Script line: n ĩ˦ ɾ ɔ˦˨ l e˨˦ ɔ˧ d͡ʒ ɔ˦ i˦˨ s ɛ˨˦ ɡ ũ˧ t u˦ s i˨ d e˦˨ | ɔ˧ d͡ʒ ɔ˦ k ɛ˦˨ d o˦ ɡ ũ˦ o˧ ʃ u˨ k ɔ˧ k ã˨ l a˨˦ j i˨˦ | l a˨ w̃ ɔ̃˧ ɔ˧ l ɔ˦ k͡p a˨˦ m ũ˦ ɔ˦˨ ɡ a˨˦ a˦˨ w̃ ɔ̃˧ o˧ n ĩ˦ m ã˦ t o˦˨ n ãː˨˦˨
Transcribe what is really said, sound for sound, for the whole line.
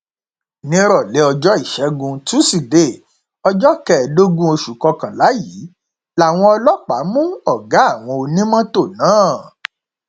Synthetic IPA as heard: n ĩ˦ ɾ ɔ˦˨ l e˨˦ ɔ˧ d͡ʒ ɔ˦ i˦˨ ʃ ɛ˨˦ ɡ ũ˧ t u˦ s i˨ d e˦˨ | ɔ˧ d͡ʒ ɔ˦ k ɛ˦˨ d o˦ ɡ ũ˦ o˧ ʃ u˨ k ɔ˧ k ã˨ l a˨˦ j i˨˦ | l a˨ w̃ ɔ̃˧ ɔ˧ l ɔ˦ k͡p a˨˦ m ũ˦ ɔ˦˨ ɡ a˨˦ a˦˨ w̃ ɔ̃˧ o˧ n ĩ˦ m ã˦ t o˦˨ n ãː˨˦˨